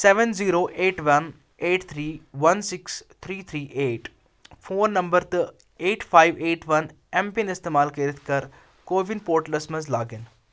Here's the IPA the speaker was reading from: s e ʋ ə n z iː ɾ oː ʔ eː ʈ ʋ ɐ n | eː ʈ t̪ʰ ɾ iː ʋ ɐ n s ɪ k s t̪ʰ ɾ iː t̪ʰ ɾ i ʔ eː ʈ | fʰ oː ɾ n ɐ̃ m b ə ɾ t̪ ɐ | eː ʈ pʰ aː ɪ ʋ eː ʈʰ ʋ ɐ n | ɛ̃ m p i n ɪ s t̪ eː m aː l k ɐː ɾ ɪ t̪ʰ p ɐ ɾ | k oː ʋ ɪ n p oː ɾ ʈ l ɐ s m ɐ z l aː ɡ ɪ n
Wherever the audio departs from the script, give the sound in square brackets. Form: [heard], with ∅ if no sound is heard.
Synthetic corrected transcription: s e ʋ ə n z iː ɾ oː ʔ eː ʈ ʋ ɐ n | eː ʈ t̪ʰ ɾ iː ʋ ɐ n s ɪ k s t̪ʰ ɾ iː t̪ʰ ɾ [iː] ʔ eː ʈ | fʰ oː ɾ n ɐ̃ m b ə ɾ t̪ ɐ | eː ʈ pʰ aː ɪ ʋ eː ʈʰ ʋ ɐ n | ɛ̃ m p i n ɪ s t̪ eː m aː l k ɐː ɾ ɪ t̪ʰ [k] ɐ ɾ | k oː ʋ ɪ n p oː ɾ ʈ l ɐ s m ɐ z l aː ɡ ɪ n